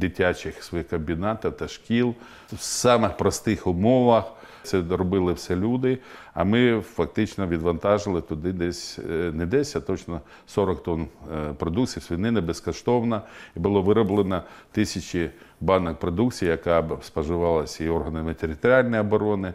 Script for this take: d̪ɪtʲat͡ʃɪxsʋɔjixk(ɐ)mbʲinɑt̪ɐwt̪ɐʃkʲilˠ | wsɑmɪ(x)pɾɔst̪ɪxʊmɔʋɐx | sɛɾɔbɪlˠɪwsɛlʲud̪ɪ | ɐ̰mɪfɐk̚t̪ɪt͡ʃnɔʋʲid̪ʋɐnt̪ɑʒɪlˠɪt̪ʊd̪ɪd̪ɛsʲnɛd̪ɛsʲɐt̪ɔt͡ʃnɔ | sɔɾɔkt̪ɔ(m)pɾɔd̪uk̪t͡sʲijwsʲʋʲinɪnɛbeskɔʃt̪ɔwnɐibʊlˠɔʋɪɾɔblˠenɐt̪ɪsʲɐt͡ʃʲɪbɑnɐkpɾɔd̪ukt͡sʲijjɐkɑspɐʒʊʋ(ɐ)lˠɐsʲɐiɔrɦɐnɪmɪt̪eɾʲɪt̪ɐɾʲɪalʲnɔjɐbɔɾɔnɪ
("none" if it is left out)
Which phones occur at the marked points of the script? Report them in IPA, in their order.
ɐ, x, n, ɑ

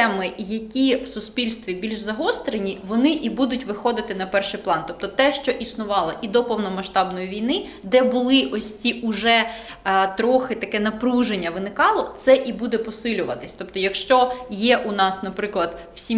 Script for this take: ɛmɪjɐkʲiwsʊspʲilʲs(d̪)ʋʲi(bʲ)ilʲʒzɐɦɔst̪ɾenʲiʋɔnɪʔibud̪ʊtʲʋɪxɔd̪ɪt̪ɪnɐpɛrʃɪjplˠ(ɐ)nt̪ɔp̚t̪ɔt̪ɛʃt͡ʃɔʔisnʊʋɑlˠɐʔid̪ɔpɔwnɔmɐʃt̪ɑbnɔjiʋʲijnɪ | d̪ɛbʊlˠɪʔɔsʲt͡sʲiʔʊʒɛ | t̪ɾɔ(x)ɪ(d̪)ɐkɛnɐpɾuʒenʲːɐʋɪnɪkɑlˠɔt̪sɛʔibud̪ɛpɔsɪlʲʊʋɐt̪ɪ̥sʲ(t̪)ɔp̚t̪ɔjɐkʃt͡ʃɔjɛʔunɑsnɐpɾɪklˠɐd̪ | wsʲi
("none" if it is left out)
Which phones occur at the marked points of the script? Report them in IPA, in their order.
t̪, bʲ, ɑ, x, t̪, t̪

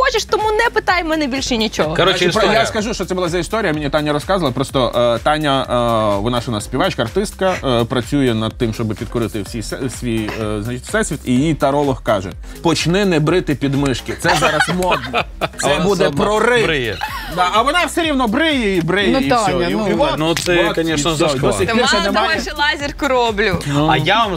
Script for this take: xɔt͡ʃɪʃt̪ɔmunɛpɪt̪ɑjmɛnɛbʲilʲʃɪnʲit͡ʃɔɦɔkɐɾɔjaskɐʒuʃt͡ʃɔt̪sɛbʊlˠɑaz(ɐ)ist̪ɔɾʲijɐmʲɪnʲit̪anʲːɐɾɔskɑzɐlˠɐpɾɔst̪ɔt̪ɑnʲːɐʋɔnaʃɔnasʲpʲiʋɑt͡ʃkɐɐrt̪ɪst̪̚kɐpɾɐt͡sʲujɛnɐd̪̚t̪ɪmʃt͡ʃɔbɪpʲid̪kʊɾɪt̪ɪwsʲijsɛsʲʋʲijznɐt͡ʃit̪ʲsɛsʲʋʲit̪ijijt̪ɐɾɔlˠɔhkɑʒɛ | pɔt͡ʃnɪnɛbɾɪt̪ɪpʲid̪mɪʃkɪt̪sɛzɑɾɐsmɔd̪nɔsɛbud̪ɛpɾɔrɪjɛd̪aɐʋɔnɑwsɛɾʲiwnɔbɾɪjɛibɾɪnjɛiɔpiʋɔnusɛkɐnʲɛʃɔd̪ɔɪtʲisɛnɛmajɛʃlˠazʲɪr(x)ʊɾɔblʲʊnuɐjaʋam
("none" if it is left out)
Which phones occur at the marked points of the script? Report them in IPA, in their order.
ɐ, k

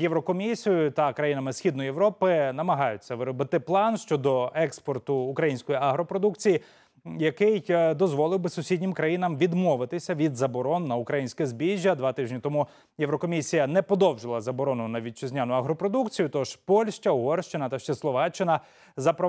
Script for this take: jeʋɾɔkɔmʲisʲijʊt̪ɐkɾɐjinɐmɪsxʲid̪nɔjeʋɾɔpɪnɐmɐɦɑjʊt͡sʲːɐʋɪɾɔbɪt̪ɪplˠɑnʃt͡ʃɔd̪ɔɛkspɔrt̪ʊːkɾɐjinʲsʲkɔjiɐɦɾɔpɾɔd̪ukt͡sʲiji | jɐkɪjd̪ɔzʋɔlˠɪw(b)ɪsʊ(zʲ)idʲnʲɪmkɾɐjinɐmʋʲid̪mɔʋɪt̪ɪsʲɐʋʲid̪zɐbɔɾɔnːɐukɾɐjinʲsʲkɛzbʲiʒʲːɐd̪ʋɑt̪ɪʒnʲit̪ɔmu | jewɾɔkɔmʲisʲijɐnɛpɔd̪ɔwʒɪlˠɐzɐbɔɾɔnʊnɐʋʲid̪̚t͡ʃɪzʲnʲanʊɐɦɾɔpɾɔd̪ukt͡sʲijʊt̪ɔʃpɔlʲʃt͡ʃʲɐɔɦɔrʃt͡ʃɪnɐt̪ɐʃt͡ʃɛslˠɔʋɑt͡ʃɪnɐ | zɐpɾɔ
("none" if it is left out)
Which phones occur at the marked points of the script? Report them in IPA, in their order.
b, sʲ

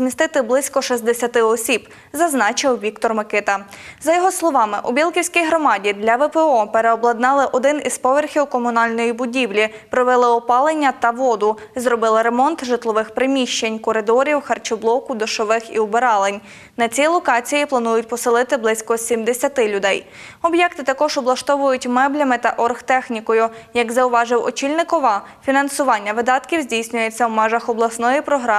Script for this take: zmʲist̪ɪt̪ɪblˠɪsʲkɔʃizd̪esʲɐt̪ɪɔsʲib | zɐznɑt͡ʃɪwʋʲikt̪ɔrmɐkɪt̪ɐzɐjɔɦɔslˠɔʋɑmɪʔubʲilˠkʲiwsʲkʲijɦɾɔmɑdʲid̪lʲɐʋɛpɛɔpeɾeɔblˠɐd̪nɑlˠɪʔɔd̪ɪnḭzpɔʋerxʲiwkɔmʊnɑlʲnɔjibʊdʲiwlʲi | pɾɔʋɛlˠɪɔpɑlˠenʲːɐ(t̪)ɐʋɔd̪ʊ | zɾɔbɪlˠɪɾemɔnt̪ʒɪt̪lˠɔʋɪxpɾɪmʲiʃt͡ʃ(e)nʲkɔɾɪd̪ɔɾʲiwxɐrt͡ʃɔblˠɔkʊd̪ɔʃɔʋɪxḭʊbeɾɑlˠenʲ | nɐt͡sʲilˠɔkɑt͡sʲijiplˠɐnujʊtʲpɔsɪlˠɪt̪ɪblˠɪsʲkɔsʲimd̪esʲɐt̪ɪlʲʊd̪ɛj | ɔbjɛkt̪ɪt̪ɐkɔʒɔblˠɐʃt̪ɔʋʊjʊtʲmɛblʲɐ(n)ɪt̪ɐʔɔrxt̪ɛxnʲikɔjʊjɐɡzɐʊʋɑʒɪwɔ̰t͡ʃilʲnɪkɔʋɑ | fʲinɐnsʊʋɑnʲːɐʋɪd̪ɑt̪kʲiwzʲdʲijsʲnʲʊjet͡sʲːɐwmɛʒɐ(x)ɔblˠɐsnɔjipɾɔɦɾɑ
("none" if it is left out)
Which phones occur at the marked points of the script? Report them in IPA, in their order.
t̪, e, m, x

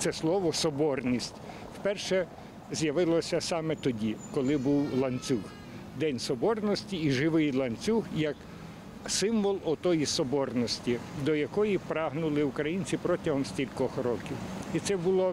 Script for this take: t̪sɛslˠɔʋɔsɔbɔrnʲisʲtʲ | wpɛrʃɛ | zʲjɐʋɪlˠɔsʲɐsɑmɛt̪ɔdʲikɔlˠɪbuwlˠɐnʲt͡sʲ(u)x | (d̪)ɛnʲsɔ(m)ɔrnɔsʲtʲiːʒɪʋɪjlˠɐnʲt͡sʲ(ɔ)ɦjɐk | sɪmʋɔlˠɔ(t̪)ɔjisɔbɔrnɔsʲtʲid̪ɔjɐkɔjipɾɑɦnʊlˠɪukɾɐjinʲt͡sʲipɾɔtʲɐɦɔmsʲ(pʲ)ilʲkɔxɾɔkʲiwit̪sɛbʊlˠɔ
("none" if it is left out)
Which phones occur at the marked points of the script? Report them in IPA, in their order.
u, d̪, b, u, t̪, tʲ

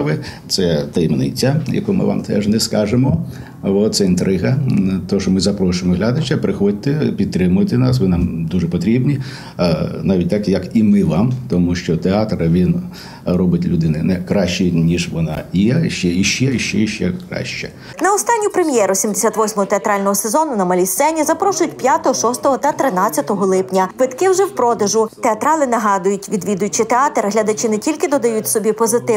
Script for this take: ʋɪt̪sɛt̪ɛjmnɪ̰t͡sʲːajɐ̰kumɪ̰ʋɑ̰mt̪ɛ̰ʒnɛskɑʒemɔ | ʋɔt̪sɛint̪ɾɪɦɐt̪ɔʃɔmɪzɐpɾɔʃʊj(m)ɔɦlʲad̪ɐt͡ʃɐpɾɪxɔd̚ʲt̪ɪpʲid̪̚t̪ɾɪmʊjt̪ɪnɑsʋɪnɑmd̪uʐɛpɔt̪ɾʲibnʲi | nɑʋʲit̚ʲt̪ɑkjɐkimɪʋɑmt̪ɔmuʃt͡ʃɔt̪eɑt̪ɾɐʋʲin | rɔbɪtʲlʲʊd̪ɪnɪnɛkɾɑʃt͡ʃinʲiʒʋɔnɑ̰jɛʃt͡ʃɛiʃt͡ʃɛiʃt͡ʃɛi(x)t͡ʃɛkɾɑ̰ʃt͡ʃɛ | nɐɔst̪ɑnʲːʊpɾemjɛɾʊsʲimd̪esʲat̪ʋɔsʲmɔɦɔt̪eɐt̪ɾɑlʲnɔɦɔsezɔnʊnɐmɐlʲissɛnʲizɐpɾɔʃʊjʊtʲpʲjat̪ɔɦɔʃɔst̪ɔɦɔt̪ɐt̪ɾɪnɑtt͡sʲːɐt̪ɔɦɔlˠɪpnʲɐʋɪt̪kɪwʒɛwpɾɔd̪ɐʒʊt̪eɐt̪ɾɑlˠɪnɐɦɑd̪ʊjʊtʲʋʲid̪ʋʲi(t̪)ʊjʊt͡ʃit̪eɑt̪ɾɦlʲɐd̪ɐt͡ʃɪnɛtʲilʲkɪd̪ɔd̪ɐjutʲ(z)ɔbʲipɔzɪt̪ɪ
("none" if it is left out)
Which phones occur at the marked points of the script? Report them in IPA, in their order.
m, ʃ, d̪, s

